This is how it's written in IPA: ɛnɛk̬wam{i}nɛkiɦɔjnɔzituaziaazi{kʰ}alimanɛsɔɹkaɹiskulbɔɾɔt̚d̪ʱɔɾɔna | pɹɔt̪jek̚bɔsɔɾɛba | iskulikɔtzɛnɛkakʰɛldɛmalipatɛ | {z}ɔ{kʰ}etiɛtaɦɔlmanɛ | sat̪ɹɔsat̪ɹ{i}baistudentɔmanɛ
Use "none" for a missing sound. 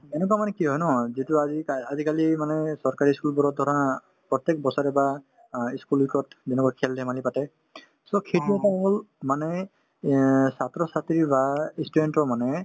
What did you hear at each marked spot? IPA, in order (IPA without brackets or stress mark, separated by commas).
a, k, s, kʰ, i